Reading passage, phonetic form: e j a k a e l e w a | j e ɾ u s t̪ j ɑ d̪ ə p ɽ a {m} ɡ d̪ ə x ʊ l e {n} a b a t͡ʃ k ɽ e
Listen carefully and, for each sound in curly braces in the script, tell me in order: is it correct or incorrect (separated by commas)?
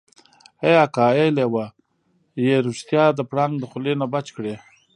incorrect, correct